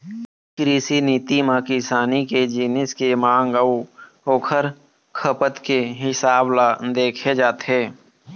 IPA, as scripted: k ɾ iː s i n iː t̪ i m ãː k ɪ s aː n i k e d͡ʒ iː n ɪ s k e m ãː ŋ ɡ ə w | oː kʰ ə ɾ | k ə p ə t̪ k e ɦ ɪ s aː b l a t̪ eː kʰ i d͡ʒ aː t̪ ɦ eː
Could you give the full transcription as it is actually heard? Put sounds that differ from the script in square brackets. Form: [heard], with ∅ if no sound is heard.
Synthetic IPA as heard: k ɾ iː s i n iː t̪ i m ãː k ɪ s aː n i k e d͡ʒ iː n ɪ s k e m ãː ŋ ɡ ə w | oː kʰ ə ɾ | [kʰ] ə p ə t̪ k e ɦ ɪ s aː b l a [d̪] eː kʰ [e] d͡ʒ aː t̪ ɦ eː